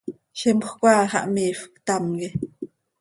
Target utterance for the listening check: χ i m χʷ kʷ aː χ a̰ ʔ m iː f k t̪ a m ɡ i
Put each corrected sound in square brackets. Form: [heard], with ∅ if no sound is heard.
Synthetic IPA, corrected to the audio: [ʃ] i m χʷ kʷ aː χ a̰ ʔ m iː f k t̪ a m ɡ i